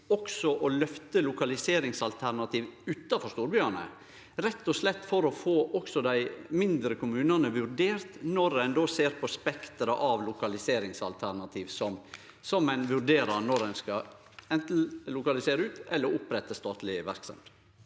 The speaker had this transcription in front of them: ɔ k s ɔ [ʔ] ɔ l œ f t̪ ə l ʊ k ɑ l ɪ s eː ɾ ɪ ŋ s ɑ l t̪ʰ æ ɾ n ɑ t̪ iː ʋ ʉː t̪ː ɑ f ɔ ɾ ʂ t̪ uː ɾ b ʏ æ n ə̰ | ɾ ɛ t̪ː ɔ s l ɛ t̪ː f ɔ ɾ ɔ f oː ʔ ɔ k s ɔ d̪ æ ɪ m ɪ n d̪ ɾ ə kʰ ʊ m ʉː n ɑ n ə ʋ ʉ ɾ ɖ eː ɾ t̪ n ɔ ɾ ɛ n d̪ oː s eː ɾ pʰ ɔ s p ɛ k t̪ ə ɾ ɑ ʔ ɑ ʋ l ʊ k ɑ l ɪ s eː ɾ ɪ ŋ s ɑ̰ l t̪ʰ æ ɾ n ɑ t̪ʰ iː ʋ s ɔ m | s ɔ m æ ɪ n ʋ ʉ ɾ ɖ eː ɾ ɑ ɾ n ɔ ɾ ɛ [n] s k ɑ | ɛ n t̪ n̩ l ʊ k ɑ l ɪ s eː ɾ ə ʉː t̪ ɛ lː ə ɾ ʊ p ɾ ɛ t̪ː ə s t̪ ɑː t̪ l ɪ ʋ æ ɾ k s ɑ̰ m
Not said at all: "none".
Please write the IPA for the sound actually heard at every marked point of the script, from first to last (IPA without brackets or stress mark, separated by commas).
ʔ, n